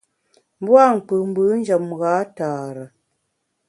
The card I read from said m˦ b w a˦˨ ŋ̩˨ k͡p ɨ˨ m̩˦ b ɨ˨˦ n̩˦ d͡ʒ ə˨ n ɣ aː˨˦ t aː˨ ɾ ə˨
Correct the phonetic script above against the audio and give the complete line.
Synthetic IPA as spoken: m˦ b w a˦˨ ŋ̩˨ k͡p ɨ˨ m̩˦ b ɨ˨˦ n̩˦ d͡ʒ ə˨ m ɣ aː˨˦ t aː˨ ɾ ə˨